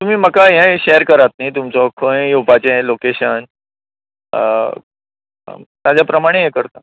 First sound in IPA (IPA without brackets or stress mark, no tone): t̪